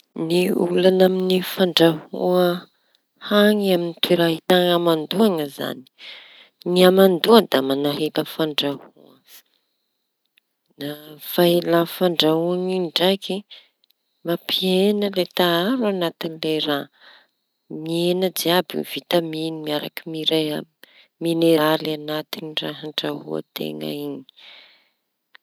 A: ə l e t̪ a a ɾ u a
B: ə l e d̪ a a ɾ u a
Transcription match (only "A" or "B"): A